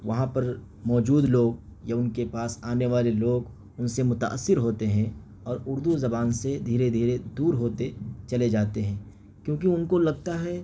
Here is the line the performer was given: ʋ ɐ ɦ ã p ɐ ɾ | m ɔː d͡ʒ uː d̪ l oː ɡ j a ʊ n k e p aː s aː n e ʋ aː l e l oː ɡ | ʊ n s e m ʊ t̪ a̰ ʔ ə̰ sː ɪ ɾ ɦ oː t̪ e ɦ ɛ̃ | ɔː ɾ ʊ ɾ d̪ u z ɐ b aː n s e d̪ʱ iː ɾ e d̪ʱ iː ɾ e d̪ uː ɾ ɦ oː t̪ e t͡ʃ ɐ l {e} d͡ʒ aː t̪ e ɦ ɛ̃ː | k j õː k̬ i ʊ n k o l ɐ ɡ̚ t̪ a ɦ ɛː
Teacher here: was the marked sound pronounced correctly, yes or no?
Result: yes